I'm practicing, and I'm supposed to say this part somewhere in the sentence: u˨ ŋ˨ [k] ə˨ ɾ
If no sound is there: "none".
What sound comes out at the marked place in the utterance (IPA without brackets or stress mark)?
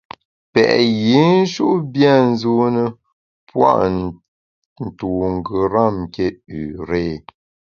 ɡ